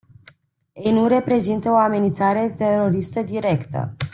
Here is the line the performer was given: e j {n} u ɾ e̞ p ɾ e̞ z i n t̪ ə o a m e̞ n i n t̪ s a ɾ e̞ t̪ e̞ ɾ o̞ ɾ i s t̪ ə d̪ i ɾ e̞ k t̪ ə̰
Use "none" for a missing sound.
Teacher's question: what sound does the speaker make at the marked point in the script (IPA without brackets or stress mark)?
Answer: n